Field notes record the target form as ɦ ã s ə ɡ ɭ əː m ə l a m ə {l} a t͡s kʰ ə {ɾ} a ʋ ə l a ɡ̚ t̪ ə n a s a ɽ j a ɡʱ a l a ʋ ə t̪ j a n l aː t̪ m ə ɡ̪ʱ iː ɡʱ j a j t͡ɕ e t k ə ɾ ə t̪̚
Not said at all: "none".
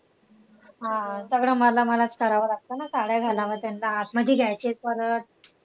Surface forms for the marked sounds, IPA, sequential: l, ɾ

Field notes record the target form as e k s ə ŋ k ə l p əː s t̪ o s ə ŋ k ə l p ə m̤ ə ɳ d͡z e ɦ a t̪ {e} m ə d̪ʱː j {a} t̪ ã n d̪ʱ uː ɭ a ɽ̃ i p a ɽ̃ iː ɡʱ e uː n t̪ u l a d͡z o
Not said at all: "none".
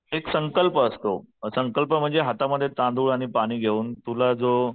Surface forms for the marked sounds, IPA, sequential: a, e

